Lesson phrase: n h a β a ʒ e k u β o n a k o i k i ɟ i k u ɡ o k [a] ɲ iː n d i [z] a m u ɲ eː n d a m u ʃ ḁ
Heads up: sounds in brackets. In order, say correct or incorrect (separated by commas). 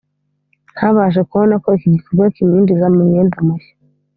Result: incorrect, correct